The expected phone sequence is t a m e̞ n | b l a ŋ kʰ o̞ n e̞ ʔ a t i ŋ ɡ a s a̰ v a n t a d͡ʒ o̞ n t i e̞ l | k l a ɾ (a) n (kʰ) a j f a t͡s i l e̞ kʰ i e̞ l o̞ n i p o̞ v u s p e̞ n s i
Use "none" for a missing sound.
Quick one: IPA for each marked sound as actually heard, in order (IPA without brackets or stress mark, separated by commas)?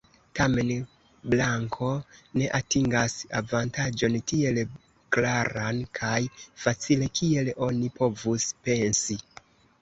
a, kʰ